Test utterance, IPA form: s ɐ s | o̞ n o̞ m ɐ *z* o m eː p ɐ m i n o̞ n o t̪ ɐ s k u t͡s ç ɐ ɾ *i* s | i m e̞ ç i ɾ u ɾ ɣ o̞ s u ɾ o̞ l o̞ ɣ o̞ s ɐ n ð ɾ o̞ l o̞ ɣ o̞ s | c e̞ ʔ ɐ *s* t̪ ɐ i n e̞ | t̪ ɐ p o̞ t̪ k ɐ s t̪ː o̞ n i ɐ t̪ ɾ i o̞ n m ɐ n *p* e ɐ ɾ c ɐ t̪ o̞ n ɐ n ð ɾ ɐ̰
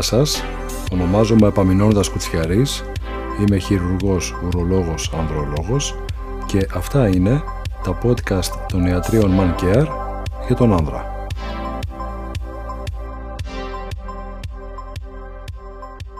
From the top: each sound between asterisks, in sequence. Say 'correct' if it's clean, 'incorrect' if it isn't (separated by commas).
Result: correct, correct, incorrect, incorrect